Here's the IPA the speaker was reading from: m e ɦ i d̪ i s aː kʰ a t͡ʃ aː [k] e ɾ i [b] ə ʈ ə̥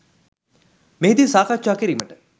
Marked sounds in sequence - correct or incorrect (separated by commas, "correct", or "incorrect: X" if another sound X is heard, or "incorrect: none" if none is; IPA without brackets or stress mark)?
correct, incorrect: m